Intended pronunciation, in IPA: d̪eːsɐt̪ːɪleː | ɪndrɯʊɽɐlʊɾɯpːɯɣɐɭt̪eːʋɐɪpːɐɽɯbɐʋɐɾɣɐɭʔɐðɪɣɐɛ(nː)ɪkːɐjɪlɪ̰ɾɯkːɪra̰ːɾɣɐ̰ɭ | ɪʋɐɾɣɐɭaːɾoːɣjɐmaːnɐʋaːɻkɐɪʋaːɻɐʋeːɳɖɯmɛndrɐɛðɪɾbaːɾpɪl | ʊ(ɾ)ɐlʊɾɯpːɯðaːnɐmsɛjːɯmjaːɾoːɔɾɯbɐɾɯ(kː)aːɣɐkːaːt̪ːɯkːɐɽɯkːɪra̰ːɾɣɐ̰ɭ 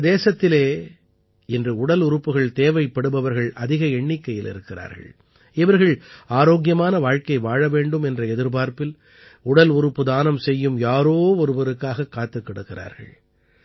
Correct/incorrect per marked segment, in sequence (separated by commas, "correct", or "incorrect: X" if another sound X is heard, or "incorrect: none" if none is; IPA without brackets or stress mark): incorrect: ɳː, incorrect: ɽ, correct